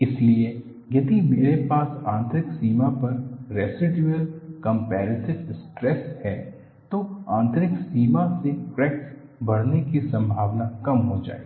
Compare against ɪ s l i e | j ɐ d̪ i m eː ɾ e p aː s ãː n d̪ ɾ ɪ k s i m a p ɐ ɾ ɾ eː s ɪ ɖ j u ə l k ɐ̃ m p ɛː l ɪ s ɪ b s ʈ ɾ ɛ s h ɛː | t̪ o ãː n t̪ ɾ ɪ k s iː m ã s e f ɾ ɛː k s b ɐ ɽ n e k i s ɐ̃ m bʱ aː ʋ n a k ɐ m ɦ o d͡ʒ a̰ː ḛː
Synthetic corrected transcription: ɪ s l i e | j ɐ d̪ i m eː ɾ e p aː s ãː n t̪ ɾ ɪ k s iː m a p ɐ ɾ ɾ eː s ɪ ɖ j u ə l k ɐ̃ m p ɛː ɾ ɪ s ɪ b s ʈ ɾ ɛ s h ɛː | t̪ o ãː n t̪ ɾ ɪ k s iː m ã s e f ɾ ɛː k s b ɐ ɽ n e k i s ɐ̃ m bʱ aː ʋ n a k ɐ m ɦ o d͡ʒ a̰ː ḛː